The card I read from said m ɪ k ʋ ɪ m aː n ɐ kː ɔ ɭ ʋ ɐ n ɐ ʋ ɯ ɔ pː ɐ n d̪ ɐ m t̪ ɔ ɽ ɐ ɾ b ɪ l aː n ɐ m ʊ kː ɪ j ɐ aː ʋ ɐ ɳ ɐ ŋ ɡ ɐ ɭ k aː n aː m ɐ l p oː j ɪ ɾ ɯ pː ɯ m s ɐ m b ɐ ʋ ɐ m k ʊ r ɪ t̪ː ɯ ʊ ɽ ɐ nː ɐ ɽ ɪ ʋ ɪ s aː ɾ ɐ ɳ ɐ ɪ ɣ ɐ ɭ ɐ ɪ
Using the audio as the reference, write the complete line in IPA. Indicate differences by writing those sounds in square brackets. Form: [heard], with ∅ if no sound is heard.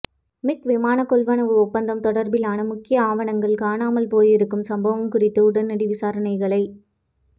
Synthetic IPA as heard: m ɪ k ʋ ɪ m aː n ɐ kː ɔ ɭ ʋ ɐ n ɐ ʋ ɯ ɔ pː ɐ n d̪ ɐ m t̪ ɔ ɽ ɐ ɾ b ɪ l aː n ɐ m ʊ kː ɪ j ɐ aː ʋ ɐ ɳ ɐ ŋ ɡ ɐ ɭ k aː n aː m ɐ l p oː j ɪ ɾ ɯ [kː] ɯ m s ɐ m b ɐ ʋ ɐ m k ʊ r ɪ t̪ː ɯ ʊ ɽ ɐ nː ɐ ɽ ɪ ʋ ɪ s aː ɾ ɐ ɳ ɐ ɪ ɣ ɐ ɭ ɐ ɪ

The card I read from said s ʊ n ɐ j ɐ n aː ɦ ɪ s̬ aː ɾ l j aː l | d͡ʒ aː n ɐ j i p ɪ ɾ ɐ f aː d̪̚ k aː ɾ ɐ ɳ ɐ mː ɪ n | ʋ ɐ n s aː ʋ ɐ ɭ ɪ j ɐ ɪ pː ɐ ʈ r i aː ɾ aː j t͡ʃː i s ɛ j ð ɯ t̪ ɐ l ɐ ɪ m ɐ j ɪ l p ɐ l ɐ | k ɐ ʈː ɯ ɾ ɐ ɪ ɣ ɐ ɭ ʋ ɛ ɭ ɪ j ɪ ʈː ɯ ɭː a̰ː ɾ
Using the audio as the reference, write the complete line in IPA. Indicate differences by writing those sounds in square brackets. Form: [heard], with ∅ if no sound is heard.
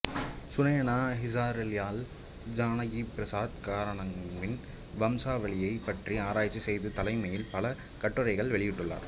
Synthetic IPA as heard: s ʊ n ɐ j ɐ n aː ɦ ɪ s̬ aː ɾ l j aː l | d͡ʒ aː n ɐ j i p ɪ ɾ ɐ [s] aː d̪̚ k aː ɾ ɐ ɳ ɐ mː ɪ n | ʋ ɐ [m] s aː ʋ ɐ ɭ ɪ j ɐ ɪ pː ɐ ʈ r i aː ɾ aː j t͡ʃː i s ɛ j ð ɯ t̪ ɐ l ɐ ɪ m ɐ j ɪ l p ɐ l ɐ | k ɐ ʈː ɯ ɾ ɐ ɪ ɣ ɐ ɭ ʋ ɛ ɭ ɪ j ɪ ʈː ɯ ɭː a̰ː ɾ

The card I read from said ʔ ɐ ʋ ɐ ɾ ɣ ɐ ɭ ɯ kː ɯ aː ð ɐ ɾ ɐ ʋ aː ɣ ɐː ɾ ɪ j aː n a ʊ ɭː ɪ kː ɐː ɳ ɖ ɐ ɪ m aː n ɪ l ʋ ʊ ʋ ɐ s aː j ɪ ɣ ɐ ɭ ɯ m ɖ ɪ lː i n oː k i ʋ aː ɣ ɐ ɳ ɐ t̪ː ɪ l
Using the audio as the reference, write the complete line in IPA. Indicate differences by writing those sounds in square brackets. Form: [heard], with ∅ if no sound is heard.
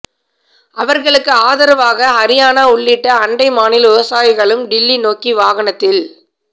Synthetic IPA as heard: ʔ ɐ ʋ ɐ ɾ ɣ ɐ ɭ ɯ kː ɯ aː ð ɐ ɾ ɐ ʋ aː ɣ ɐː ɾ ɪ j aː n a ʊ ɭː ɪ [ʈː] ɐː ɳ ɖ ɐ ɪ m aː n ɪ l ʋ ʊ ʋ ɐ s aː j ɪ ɣ ɐ ɭ ɯ m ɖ ɪ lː i n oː k i ʋ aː ɣ ɐ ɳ ɐ t̪ː ɪ l

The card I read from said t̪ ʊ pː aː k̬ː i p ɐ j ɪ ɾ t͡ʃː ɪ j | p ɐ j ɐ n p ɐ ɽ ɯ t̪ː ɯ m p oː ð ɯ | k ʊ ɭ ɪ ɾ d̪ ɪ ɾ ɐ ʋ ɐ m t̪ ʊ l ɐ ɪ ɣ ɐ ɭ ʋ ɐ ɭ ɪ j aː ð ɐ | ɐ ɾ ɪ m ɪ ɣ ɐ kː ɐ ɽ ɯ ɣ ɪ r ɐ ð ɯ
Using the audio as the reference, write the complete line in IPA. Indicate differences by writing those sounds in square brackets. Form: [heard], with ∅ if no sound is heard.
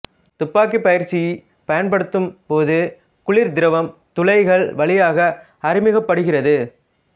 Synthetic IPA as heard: t̪ ʊ pː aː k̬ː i p ɐ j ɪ ɾ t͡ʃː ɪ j | p ɐ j ɐ n p ɐ ɽ ɯ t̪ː ɯ m p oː ð ɯ | k ʊ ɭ ɪ ɾ d̪ ɪ ɾ ɐ ʋ ɐ m t̪ ʊ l ɐ ɪ ɣ ɐ ɭ ʋ ɐ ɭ ɪ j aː [ɣ] ɐ | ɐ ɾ ɪ m ɪ ɣ ɐ [pː] ɐ ɽ ɯ ɣ ɪ r ɐ ð ɯ

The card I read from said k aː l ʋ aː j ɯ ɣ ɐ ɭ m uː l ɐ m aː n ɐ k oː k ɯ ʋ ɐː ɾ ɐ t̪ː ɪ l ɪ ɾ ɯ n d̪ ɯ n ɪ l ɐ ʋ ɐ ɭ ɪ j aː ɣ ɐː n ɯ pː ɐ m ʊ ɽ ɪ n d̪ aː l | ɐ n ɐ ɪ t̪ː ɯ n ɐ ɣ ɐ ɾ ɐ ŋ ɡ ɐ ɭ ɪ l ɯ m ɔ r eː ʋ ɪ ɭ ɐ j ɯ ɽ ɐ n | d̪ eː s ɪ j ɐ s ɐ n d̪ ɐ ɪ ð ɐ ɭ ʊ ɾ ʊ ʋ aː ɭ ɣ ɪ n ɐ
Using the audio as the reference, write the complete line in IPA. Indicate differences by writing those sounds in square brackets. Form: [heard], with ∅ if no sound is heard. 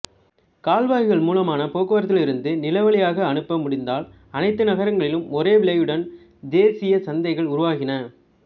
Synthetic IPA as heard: k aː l ʋ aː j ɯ ɣ ɐ ɭ m uː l ɐ m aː n ɐ [p] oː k ɯ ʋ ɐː ɾ ɐ t̪ː ɪ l ɪ ɾ ɯ n d̪ ɯ n ɪ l ɐ ʋ ɐ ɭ ɪ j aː ɣ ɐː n ɯ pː ɐ m ʊ ɽ ɪ n d̪ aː l | ɐ n ɐ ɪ t̪ː ɯ n ɐ ɣ ɐ ɾ ɐ ŋ ɡ ɐ ɭ ɪ l ɯ m ɔ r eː ʋ ɪ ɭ ɐ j ɯ ɽ ɐ n | d̪ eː s ɪ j ɐ s ɐ n d̪ ɐ ɪ [ɣ] ɐ ɭ ʊ ɾ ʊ ʋ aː [∅] ɣ ɪ n ɐ

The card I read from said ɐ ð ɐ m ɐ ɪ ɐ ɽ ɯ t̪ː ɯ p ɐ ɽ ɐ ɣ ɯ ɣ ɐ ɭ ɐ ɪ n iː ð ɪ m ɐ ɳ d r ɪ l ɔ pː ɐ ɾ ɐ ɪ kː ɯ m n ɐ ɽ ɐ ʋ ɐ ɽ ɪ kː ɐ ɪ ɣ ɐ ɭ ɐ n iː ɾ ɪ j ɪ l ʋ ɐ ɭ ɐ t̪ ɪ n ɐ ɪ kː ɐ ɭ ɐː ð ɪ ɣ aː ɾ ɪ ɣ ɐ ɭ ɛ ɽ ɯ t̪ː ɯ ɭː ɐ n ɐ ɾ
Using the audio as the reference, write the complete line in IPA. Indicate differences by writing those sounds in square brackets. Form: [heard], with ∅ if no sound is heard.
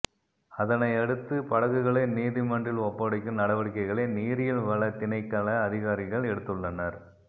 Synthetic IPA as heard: ɐ ð ɐ [n] ɐ ɪ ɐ ɽ ɯ t̪ː ɯ p ɐ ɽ ɐ ɣ ɯ ɣ ɐ ɭ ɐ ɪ n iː ð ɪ m ɐ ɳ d r ɪ l ɔ pː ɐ [ɽ] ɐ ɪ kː ɯ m n ɐ ɽ ɐ ʋ ɐ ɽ ɪ kː ɐ ɪ ɣ ɐ ɭ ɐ n iː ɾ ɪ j ɪ l ʋ ɐ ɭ ɐ t̪ ɪ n ɐ ɪ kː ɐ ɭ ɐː ð ɪ ɣ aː ɾ ɪ ɣ ɐ ɭ ɛ ɽ ɯ t̪ː ɯ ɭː ɐ n ɐ ɾ

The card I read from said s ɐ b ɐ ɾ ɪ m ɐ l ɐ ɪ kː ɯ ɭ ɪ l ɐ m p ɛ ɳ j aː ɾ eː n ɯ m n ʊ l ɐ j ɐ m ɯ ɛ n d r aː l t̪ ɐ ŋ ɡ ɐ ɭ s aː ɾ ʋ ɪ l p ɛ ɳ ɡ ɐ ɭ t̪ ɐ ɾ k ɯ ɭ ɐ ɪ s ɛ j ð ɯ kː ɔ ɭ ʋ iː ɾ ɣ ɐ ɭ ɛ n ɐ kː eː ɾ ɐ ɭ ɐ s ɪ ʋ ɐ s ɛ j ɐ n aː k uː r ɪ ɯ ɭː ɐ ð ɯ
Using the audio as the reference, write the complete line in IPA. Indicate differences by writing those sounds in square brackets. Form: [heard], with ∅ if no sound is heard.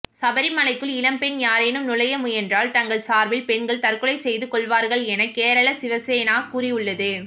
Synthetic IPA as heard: s ɐ b ɐ ɾ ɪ m ɐ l ɐ ɪ kː ɯ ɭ ɪ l ɐ m p ɛ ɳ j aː ɾ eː n ɯ m n ʊ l ɐ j ɐ m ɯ ɛ n d r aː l t̪ ɐ ŋ ɡ ɐ ɭ s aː ɾ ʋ ɪ l p ɛ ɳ ɡ ɐ ɭ t̪ ɐ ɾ k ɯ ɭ ɐ ɪ s ɛ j ð ɯ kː ɔ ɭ ʋ [aː] ɾ ɣ ɐ ɭ ɛ n ɐ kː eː ɾ ɐ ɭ ɐ s ɪ ʋ ɐ s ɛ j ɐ n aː k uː r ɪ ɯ ɭː ɐ ð ɯ

